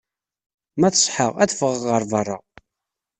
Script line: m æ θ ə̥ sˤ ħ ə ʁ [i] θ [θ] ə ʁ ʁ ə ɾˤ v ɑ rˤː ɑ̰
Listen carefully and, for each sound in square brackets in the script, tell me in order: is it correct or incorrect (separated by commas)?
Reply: incorrect, incorrect